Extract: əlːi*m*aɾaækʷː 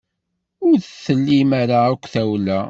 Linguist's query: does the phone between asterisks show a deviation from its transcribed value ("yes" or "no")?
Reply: no